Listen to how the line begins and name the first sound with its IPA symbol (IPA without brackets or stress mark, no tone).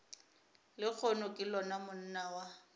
l